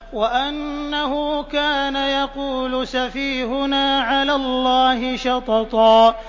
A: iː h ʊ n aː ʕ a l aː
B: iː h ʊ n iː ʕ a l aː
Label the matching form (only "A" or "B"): A